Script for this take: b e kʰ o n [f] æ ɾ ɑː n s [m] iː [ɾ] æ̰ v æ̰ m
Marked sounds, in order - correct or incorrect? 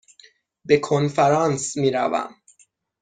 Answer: correct, correct, correct

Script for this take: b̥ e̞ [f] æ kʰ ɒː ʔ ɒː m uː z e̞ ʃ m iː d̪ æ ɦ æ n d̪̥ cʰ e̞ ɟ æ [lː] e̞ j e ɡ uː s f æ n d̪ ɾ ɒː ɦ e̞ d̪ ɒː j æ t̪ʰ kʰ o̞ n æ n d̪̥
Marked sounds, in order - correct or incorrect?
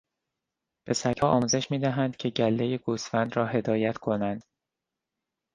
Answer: incorrect: s, correct

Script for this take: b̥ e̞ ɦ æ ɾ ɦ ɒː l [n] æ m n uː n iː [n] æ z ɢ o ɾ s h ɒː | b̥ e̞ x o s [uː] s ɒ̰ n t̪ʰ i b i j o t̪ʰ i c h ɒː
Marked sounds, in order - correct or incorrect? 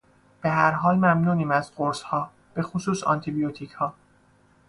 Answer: incorrect: m, incorrect: m, correct

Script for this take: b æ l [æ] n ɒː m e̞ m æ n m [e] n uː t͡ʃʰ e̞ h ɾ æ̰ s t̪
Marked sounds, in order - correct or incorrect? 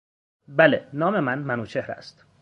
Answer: incorrect: e, incorrect: æ

